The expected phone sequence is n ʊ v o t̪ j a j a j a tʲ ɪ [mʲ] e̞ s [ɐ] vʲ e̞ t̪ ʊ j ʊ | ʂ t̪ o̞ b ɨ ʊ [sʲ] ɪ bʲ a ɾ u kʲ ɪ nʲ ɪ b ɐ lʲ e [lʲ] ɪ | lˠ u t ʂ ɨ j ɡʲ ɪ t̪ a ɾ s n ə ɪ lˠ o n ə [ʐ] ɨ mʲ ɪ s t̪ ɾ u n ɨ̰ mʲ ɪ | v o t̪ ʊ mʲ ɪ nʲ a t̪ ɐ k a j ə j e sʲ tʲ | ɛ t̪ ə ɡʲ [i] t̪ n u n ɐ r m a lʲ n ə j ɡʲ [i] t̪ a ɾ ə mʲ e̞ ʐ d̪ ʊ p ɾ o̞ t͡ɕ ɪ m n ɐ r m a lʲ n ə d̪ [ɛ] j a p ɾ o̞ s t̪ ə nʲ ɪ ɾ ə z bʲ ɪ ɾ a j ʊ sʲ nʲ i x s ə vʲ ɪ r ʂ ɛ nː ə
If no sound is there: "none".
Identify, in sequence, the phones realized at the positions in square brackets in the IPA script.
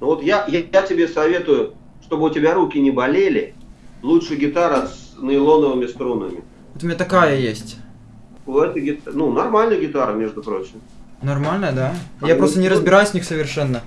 bʲ, ɐ, tʲ, lʲ, v, ɪ, ɪ, a

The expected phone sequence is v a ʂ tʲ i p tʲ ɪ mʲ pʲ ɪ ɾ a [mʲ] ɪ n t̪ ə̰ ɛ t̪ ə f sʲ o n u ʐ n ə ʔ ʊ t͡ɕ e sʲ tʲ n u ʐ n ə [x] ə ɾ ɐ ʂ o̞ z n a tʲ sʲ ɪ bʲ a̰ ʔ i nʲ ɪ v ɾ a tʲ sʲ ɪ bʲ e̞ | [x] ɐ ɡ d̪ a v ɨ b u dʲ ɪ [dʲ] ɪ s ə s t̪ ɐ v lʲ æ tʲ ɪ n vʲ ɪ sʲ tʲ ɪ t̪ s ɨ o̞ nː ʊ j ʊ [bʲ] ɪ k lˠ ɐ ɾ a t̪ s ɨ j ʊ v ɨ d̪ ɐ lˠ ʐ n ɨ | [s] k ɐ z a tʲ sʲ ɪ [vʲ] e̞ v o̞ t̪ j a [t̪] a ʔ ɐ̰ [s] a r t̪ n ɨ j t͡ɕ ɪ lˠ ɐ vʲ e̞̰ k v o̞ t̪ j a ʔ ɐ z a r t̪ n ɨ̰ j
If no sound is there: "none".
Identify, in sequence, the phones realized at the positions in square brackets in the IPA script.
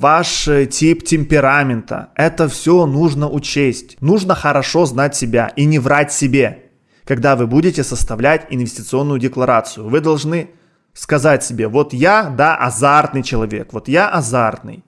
mʲ, x, k, tʲ, dʲ, s, bʲ, d̪, z

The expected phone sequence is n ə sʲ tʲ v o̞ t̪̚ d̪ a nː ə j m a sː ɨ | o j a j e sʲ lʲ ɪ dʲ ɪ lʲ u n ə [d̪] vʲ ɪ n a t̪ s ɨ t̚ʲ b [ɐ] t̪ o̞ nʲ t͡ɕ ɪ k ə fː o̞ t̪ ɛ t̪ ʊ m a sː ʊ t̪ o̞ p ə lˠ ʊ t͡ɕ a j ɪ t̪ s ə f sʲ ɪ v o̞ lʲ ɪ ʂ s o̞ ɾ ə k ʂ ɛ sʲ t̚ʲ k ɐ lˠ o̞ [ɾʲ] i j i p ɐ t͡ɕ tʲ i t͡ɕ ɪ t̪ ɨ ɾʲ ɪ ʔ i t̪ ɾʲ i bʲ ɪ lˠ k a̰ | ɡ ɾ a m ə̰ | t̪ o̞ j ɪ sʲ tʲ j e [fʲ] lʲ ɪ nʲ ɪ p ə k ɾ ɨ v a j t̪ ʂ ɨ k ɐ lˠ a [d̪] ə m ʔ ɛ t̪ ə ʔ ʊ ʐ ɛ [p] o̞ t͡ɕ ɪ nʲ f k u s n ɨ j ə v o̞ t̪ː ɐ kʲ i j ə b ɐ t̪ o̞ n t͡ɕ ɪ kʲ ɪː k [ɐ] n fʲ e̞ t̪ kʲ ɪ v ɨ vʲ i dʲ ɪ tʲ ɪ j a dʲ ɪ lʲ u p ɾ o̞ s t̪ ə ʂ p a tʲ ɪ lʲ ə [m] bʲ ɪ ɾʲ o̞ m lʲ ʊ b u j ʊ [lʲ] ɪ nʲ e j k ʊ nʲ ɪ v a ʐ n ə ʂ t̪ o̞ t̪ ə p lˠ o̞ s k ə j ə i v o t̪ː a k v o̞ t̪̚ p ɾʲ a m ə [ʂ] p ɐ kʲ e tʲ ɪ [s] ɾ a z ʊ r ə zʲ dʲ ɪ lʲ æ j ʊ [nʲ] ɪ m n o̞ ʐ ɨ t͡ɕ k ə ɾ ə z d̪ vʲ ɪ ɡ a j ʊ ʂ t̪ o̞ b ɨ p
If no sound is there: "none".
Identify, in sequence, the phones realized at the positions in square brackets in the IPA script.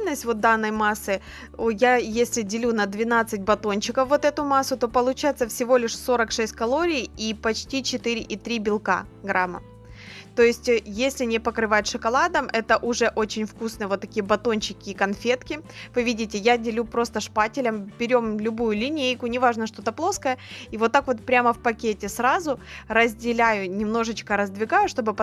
d̪, ɐ, ɾʲ, sʲ, d̪, ʔ, ɐ, m, lʲ, f, s, nʲ

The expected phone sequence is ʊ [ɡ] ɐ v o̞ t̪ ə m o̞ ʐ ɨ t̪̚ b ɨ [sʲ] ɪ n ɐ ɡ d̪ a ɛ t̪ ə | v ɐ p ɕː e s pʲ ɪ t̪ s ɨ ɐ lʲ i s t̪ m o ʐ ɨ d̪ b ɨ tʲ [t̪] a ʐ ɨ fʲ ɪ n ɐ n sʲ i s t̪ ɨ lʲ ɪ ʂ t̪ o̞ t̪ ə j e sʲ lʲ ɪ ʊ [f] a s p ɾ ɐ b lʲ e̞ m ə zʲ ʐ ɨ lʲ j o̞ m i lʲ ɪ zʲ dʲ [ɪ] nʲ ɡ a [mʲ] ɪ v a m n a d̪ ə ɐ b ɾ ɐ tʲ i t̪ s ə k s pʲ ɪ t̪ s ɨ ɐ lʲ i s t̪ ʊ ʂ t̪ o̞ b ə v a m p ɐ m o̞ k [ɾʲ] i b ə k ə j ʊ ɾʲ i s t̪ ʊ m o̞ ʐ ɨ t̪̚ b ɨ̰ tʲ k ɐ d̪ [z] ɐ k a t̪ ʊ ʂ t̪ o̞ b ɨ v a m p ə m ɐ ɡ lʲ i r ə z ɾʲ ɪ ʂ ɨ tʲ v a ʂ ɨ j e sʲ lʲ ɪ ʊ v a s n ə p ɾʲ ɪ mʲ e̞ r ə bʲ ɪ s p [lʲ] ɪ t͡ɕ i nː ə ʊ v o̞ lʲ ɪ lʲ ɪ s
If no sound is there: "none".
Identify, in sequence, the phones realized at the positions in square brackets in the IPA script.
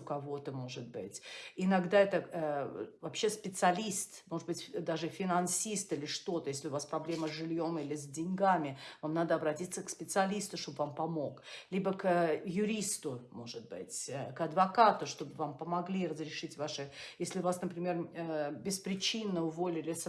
k, tʲ, d̪, v, ɪ, mʲ, lʲ, v, ɾʲ

